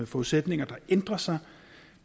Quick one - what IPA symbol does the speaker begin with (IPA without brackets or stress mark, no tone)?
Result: f